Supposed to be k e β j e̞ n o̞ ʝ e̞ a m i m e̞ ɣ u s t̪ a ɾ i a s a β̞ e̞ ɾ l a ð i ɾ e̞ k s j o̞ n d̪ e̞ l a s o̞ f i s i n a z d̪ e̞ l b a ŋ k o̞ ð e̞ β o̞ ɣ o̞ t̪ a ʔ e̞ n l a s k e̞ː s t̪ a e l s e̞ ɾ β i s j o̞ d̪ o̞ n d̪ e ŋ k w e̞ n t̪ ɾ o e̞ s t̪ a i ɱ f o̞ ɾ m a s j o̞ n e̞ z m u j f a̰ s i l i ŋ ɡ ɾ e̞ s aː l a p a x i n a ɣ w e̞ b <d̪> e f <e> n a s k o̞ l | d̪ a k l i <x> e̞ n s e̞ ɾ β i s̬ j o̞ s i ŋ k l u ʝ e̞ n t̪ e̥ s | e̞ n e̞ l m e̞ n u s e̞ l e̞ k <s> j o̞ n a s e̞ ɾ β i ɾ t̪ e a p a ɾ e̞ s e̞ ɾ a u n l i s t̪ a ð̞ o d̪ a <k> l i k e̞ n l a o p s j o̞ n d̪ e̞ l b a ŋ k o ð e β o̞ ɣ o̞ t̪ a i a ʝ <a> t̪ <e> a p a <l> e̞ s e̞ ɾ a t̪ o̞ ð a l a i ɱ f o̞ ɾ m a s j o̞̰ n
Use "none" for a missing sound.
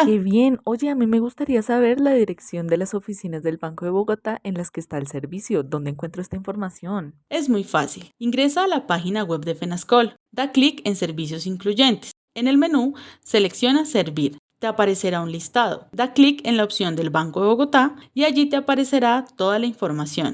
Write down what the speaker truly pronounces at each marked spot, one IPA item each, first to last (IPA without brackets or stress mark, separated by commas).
d̪, e, k, s, k, i, e, ɾ